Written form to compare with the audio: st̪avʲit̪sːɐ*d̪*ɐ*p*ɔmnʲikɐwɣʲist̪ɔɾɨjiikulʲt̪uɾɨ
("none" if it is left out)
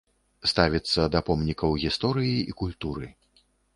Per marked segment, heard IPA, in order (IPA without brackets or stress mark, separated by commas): d̪, p